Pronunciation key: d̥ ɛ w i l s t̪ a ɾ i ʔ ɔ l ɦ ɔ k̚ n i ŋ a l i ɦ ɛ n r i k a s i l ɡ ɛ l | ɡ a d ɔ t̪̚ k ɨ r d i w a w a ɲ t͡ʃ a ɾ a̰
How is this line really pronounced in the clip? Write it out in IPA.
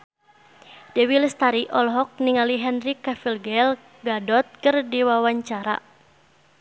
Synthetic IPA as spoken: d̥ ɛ w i l s t̪ a ɾ i ʔ ɔ l ɦ ɔ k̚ n i ŋ a l i ɦ ɛ n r i k a f i l ɡ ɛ l | ɡ a d ɔ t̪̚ k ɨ r d i w a w a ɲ t͡ʃ a ɾ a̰